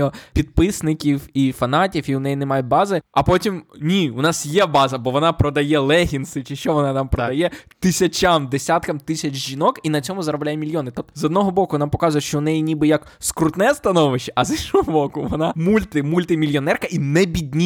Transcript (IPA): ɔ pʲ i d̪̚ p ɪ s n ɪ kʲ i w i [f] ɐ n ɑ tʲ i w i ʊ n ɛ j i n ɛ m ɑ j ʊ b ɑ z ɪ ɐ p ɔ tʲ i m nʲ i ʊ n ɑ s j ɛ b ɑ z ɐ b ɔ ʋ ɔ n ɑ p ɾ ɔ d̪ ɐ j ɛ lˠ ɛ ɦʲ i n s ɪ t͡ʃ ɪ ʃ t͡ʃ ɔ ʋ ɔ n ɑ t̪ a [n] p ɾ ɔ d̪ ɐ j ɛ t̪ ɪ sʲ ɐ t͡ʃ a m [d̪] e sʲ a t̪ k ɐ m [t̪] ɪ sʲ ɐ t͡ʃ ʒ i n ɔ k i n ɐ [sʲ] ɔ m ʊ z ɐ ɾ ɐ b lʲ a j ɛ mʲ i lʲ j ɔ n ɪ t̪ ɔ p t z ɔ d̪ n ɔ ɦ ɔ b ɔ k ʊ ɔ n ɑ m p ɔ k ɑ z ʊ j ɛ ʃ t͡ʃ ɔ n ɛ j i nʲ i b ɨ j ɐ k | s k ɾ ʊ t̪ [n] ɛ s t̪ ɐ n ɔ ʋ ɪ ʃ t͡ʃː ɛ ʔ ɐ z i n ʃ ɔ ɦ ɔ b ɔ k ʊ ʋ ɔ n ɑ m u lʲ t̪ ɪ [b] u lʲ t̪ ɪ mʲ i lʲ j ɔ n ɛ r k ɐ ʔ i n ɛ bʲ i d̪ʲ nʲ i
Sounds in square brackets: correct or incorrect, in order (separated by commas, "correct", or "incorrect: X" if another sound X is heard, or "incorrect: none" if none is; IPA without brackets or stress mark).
correct, incorrect: m, correct, correct, incorrect: t͡sʲ, correct, incorrect: m